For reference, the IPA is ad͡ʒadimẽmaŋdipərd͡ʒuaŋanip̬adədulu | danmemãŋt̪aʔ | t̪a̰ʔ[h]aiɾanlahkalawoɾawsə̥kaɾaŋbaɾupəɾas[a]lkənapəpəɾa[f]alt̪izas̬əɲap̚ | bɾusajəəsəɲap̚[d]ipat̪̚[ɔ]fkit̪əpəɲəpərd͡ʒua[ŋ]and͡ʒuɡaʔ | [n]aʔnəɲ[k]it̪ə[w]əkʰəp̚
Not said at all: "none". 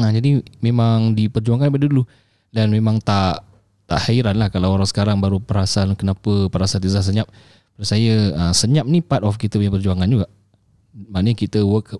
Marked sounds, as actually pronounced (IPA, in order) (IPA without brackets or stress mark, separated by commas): h, a, s, n, ɔ, ŋ, m, k, w